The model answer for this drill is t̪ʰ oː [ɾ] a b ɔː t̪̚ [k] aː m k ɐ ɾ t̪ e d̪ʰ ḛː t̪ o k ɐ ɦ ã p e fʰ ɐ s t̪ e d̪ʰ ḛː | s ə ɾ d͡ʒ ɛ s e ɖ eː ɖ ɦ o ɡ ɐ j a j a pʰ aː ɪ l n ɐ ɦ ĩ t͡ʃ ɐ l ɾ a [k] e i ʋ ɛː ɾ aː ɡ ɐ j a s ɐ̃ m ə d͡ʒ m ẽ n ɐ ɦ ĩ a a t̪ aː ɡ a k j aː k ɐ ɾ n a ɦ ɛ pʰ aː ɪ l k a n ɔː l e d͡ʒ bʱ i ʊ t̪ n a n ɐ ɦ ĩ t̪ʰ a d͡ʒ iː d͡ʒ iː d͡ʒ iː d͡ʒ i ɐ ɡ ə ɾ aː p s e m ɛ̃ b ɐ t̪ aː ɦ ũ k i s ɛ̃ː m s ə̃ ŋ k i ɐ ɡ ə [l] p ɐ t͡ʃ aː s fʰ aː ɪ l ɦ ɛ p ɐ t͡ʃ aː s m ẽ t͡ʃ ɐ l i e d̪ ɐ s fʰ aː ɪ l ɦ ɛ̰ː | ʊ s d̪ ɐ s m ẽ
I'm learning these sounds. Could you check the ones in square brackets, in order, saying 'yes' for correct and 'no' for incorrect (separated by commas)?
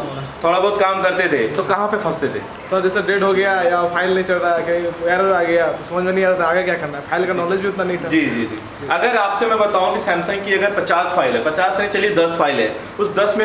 no, yes, yes, no